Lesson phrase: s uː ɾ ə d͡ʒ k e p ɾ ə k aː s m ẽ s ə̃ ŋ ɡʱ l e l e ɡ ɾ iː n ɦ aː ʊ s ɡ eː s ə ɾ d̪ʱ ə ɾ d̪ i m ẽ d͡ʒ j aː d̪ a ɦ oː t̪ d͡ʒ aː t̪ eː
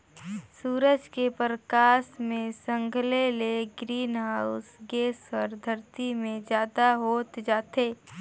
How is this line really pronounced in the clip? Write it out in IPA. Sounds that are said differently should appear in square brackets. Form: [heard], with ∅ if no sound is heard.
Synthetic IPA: s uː ɾ ə d͡ʒ k e p ɾ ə k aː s m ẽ s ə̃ ŋ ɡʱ l e l e ɡ ɾ iː n ɦ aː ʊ s ɡ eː s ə ɾ d̪ʱ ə ɾ [t̪] i m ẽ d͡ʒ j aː d̪ a ɦ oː t̪ d͡ʒ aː t̪ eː